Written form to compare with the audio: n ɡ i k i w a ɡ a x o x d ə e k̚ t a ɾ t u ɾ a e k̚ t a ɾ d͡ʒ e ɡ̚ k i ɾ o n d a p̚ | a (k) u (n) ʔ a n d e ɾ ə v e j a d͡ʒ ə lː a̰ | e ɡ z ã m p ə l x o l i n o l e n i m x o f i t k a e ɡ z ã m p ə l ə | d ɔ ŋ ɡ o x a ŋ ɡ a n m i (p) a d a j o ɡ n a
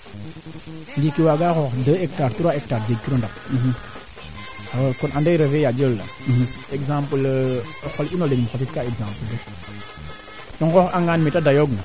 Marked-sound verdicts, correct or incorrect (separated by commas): correct, correct, incorrect